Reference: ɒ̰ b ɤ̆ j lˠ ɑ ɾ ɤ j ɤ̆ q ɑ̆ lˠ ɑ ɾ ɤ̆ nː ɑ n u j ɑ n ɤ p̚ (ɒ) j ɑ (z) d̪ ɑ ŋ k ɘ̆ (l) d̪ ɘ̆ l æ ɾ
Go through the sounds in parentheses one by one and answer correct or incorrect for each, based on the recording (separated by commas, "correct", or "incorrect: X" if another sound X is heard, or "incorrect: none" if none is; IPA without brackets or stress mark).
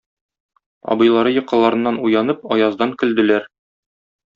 correct, correct, correct